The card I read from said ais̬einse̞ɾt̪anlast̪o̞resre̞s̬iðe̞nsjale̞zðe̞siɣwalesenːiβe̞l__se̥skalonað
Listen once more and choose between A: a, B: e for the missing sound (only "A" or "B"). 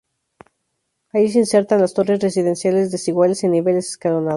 B